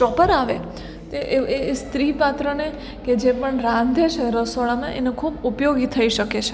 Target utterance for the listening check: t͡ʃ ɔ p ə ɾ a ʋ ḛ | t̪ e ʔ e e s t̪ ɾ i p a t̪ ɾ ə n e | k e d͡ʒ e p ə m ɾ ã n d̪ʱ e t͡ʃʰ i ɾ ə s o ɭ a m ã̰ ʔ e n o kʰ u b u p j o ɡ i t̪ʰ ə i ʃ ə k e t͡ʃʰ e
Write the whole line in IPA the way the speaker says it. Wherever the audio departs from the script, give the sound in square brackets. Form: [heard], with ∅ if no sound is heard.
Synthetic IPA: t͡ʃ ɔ p ə ɾ a ʋ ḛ | t̪ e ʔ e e s t̪ ɾ i p a t̪ ɾ ə n e | k e d͡ʒ e p ə [ɳ] ɾ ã n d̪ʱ e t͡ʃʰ [e] ɾ ə s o ɭ a m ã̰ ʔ e n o kʰ u b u p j o ɡ i t̪ʰ ə i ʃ ə k e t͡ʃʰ e